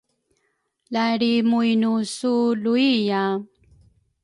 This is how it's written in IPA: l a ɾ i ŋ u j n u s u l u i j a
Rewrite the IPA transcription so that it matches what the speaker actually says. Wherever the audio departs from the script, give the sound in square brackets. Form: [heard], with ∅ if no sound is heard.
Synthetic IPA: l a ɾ i [m] u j n u s u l u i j a